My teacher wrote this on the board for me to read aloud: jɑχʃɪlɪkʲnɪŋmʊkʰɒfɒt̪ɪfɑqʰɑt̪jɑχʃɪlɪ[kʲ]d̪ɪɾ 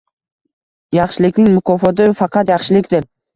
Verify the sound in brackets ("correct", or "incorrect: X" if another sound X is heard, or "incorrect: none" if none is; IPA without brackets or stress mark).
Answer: correct